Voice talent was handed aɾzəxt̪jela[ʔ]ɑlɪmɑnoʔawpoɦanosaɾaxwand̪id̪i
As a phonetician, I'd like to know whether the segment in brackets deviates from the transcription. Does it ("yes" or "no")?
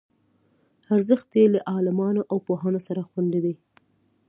no